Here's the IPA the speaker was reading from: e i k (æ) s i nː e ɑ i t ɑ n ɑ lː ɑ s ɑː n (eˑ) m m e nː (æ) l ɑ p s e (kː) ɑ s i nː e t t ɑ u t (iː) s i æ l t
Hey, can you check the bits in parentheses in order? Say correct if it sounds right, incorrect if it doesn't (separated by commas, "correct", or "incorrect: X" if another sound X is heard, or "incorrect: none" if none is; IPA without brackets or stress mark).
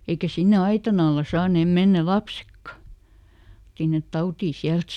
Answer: correct, correct, correct, correct, correct